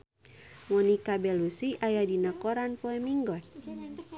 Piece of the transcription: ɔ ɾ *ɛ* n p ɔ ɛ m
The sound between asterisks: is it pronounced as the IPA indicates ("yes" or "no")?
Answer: no